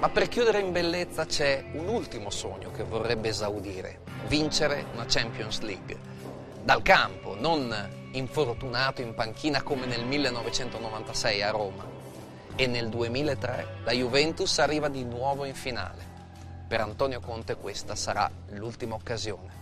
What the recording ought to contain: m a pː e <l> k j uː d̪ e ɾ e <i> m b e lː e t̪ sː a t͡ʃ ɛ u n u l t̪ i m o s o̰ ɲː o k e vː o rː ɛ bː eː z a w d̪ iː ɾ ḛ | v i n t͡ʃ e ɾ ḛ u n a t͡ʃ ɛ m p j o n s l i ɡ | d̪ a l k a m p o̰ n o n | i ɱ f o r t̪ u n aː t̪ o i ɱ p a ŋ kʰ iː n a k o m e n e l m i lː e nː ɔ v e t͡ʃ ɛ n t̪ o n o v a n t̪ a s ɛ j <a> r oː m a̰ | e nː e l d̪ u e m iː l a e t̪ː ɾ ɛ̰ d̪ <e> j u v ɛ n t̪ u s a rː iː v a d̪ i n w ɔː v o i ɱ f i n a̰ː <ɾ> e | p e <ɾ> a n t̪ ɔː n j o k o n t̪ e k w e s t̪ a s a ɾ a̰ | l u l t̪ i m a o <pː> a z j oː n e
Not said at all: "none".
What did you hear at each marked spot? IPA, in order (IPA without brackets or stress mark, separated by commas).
r, i, a, a, l, ɾ, kː